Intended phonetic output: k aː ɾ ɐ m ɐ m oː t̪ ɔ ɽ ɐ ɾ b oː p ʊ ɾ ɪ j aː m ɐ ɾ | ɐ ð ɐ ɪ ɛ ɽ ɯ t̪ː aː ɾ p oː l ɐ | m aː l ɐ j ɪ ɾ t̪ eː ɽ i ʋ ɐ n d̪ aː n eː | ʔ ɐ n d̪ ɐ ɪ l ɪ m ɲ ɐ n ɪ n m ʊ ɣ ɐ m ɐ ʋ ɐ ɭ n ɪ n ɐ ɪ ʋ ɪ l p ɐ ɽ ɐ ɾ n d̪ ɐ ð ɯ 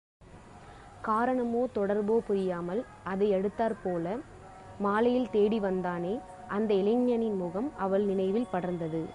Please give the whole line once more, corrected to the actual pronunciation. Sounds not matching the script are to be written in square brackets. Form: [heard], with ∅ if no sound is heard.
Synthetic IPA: k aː ɾ ɐ [ɳ] ɐ m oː t̪ ɔ ɽ ɐ ɾ b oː p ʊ ɾ ɪ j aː m ɐ [l] | ɐ ð ɐ ɪ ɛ ɽ ɯ t̪ː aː ɾ p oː l ɐ | m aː l ɐ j ɪ [l] t̪ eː ɽ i ʋ ɐ n d̪ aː n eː | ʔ ɐ n d̪ ɐ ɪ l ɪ [ŋ] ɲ ɐ n ɪ n m ʊ ɣ ɐ m ɐ ʋ ɐ ɭ n ɪ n ɐ ɪ ʋ ɪ l p ɐ ɽ ɐ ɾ n d̪ ɐ ð ɯ